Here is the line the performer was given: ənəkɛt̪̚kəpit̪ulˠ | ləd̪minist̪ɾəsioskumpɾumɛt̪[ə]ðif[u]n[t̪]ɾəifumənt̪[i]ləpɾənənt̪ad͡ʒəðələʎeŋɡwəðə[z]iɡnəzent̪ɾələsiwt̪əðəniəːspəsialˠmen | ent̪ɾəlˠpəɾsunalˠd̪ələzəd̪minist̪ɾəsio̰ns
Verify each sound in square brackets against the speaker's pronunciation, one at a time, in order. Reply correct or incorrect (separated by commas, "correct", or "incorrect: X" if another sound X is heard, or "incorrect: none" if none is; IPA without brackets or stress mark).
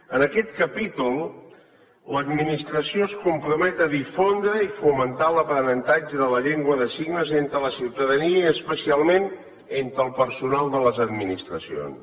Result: correct, incorrect: o, incorrect: d̪, incorrect: a, incorrect: s